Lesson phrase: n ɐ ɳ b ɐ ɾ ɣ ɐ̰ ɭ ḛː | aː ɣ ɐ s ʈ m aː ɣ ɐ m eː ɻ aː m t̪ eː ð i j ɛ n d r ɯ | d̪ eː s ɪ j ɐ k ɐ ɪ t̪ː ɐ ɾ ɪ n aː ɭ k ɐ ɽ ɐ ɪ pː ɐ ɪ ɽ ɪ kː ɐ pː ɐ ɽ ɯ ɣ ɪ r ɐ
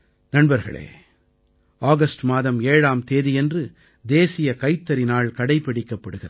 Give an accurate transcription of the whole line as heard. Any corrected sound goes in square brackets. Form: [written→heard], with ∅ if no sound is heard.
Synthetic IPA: n ɐ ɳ b ɐ ɾ ɣ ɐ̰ ɭ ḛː | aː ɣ ɐ s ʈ m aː [ɣ→ð] ɐ m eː ɻ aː m t̪ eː ð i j ɛ n d r ɯ | d̪ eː s ɪ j ɐ k ɐ ɪ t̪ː ɐ ɾ ɪ n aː ɭ k ɐ ɽ ɐ ɪ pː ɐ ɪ ɽ ɪ kː ɐ pː ɐ ɽ ɯ ɣ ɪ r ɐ